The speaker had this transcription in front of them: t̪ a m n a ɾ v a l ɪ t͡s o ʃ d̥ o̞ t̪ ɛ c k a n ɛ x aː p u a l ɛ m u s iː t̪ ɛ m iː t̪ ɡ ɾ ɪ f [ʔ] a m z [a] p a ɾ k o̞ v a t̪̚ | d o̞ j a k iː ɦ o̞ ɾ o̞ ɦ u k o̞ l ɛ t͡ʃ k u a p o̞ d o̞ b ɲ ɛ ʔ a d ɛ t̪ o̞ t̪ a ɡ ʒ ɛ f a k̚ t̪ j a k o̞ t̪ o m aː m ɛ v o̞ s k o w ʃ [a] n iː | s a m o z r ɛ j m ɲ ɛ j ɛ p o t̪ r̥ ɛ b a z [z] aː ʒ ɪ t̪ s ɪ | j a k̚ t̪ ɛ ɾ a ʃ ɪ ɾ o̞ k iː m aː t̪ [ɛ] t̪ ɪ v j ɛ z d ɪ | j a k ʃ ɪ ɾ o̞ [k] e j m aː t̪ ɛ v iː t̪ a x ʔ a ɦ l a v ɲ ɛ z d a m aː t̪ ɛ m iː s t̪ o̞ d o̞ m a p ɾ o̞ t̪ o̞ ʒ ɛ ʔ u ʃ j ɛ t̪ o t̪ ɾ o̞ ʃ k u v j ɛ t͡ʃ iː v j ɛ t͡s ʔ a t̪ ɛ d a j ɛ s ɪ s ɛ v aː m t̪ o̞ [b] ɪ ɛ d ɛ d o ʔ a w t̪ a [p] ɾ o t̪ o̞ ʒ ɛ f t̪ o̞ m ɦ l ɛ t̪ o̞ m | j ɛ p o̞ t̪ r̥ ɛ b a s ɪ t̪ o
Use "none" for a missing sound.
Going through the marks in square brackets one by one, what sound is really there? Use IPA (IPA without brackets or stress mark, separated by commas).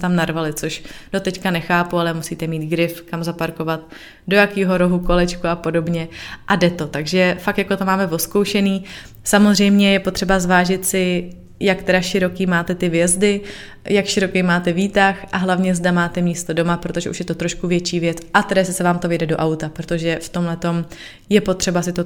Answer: k, a, ɛ, v, ɛ, k, v, p